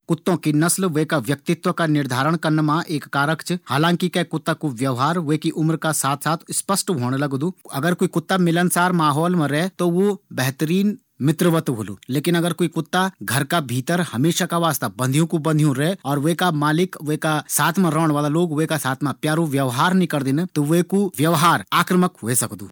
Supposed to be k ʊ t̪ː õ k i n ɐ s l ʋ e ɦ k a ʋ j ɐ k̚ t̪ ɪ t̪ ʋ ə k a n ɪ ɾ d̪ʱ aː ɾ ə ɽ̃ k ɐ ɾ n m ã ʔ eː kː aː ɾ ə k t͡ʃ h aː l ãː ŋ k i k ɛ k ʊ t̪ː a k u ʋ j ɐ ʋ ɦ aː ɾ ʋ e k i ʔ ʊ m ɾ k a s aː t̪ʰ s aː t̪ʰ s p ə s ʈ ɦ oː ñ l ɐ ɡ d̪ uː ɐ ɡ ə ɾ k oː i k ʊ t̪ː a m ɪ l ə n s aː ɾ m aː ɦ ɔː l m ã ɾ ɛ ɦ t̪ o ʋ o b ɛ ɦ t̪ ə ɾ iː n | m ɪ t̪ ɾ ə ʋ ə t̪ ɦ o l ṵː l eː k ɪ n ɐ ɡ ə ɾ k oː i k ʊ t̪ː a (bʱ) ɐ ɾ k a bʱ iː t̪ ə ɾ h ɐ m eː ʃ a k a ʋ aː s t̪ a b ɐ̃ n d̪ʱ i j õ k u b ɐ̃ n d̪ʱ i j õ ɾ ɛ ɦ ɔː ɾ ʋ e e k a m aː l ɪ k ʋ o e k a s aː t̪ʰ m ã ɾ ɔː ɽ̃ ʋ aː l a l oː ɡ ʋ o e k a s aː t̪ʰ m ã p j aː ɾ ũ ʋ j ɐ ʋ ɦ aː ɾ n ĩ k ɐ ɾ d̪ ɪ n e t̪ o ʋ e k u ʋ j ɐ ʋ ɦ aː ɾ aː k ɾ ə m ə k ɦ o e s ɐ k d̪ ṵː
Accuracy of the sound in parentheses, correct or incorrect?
incorrect: ɡʱ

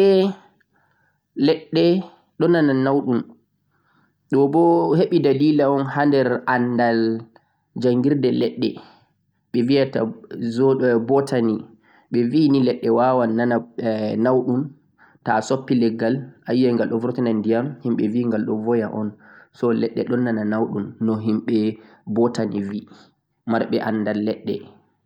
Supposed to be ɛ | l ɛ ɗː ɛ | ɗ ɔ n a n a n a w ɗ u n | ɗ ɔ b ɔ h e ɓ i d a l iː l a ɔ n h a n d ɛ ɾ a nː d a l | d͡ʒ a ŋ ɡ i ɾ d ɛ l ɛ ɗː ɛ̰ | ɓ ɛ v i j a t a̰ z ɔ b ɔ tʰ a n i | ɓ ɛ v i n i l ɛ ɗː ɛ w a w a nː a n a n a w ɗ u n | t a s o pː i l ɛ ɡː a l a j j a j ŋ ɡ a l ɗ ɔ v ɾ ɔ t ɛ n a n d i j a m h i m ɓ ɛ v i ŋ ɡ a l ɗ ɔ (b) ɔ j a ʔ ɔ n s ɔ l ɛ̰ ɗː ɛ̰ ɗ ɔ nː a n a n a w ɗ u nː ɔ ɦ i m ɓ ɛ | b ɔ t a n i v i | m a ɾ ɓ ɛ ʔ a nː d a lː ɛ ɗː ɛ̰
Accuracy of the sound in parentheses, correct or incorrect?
incorrect: v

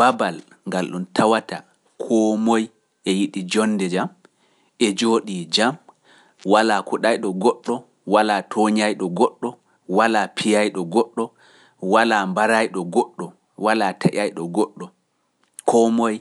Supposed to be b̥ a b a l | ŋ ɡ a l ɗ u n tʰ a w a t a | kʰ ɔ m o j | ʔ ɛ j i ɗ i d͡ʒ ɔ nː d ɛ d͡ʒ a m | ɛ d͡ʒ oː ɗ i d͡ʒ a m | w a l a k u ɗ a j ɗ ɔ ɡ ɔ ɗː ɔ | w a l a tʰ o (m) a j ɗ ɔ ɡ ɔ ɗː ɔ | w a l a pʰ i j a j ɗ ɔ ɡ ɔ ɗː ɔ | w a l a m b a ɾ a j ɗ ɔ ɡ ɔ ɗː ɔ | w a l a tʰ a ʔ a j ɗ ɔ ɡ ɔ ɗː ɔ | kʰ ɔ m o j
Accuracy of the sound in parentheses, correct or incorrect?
incorrect: ɲ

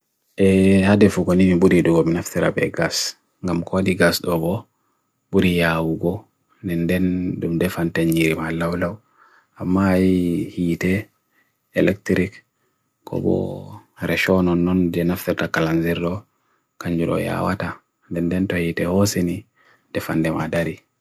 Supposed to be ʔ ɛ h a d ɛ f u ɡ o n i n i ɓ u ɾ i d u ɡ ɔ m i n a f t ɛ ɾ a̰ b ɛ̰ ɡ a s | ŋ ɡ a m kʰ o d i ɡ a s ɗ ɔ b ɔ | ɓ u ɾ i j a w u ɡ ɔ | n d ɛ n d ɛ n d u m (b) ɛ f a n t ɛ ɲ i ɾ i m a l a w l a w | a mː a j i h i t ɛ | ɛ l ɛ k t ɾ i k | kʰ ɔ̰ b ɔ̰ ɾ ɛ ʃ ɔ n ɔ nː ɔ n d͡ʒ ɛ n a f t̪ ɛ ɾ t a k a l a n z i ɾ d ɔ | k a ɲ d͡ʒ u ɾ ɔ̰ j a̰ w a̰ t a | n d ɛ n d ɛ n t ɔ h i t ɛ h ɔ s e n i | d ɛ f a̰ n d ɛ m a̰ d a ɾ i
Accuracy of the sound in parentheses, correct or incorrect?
incorrect: d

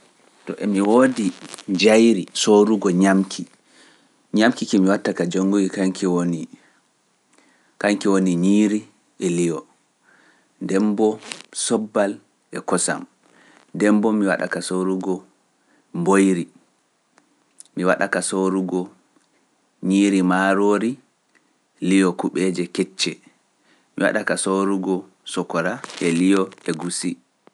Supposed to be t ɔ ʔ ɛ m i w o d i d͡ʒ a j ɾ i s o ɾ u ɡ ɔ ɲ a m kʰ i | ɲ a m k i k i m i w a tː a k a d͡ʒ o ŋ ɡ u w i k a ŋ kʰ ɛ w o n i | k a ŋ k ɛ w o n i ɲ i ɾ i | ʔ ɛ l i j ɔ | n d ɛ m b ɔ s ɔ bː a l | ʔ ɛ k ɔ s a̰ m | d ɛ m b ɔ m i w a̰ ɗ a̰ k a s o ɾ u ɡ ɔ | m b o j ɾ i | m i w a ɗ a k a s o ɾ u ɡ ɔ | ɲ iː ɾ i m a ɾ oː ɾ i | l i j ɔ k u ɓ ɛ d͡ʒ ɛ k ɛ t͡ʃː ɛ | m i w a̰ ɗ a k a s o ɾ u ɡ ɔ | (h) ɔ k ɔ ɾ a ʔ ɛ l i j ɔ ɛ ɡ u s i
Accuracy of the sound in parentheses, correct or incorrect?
incorrect: s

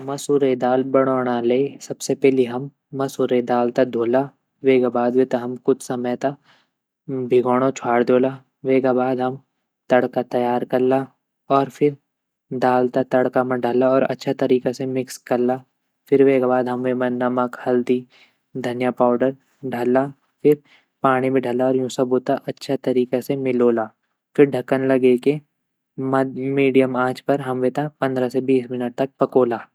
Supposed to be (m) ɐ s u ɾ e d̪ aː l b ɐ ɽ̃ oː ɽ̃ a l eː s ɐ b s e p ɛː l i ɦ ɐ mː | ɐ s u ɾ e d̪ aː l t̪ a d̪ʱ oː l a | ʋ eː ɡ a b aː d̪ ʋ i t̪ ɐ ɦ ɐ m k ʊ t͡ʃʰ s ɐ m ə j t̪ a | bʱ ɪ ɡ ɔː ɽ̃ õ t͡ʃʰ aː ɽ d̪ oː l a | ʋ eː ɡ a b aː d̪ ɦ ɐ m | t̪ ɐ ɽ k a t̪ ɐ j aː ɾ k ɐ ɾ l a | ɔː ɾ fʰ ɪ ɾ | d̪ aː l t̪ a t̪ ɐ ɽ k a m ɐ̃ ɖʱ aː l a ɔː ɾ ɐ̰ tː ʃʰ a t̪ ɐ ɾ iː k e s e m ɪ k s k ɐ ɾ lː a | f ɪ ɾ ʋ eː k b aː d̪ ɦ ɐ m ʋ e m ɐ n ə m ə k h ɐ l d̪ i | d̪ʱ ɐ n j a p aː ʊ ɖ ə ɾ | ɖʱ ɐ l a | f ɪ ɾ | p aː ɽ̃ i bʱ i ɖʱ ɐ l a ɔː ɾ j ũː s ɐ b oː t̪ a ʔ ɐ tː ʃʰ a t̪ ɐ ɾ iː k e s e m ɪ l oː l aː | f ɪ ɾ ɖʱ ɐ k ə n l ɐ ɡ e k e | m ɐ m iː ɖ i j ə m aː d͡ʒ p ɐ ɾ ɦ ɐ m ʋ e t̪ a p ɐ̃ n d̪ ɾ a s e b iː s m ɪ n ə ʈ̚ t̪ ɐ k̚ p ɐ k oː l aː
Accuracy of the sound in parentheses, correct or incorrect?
correct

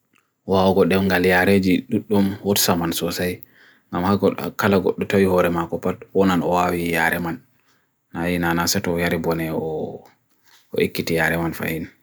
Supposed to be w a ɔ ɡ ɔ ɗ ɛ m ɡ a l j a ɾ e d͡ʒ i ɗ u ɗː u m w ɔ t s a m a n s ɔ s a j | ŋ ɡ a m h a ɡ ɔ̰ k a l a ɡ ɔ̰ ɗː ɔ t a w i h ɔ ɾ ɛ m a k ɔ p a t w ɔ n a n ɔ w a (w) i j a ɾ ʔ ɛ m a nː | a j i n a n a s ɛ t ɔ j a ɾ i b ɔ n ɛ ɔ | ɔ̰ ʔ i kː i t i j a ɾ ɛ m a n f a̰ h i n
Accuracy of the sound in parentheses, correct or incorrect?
correct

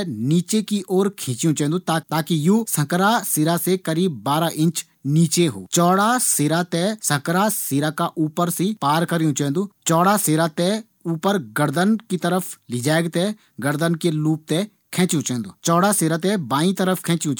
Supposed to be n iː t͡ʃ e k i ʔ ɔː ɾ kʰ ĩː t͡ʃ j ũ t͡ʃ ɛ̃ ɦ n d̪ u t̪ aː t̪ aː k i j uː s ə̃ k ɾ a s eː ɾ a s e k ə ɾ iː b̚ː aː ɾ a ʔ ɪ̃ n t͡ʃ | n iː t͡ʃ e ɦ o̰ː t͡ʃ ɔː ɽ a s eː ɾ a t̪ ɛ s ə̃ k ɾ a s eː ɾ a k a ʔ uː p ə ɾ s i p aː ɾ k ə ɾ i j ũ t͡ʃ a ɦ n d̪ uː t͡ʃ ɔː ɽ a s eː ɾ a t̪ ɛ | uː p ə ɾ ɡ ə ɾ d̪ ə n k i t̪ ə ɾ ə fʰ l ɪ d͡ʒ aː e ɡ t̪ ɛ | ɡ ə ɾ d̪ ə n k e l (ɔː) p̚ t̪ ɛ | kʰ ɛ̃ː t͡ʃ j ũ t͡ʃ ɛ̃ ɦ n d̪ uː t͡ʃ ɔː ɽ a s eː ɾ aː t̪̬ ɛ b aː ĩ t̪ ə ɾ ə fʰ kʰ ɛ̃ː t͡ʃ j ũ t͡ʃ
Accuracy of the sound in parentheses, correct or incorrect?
incorrect: uː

